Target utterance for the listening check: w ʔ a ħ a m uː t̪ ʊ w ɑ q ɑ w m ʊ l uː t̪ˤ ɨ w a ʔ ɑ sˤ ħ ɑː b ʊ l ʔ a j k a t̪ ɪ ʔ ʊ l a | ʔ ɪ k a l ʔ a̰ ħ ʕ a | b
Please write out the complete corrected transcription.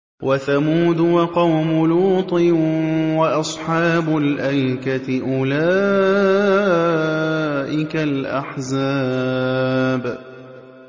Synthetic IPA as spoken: w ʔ a θ a m uː d̪ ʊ w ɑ q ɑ w m ʊ l uː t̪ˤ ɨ w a ʔ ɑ sˤ ħ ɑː b ʊ l ʔ a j k a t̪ ɪ ʔ ʊ l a | ʔ ɪ k a l ʔ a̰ ħ z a | b